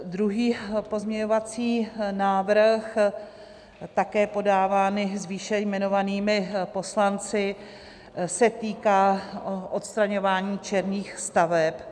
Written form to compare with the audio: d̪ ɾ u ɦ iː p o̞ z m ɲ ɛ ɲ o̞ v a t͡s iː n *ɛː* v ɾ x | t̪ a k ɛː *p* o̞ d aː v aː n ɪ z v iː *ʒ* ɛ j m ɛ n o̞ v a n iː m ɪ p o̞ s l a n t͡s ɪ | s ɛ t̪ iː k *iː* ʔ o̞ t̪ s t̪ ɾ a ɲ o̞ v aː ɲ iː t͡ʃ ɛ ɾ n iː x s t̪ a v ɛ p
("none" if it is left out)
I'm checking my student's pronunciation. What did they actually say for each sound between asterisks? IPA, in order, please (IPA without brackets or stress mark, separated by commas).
aː, p, ʃ, aː